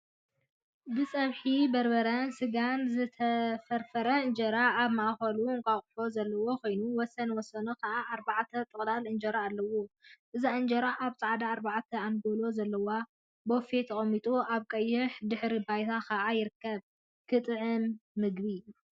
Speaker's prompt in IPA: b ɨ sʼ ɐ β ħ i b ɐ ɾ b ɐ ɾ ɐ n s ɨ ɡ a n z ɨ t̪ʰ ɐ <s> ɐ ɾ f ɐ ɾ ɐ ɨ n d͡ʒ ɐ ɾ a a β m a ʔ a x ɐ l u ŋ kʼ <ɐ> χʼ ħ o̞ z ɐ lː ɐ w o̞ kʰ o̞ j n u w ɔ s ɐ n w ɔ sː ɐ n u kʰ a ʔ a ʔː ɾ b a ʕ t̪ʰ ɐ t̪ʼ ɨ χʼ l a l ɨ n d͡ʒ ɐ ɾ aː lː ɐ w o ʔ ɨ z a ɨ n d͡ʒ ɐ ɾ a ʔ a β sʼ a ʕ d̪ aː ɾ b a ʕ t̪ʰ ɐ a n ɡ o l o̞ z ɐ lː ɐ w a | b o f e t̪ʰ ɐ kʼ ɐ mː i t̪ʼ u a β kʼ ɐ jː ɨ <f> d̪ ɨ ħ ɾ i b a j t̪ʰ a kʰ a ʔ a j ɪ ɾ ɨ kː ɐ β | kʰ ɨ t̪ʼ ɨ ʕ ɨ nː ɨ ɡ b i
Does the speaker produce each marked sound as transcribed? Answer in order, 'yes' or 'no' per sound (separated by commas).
no, no, no